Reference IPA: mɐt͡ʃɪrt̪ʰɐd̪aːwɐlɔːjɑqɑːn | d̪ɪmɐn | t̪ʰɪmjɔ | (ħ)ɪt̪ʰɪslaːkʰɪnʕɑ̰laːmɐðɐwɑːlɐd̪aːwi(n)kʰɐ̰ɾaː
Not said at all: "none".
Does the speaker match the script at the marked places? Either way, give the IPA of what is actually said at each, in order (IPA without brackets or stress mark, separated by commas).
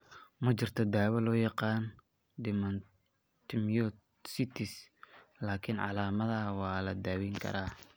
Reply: s, ŋ